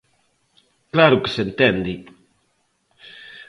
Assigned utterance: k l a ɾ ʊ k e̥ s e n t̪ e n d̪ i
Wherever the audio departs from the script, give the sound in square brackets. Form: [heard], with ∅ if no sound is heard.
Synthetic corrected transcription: k l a ɾ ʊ k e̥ s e n t̪ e n d̪ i